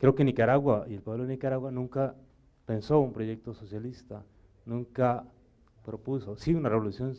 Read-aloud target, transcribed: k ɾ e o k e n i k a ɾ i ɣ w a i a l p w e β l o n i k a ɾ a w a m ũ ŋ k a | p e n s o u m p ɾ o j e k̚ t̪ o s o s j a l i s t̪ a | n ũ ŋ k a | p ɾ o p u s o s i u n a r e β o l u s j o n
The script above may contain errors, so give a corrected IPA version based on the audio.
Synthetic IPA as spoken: k ɾ e o k e n i k a ɾ a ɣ w a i e l p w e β l o n i k a ɾ a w a n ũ ŋ k a | p e n s o u m p ɾ o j e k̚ t̪ o s o s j a l i s t̪ a | n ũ ŋ k a | p ɾ o p u s o s i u n a r e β o l u s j o n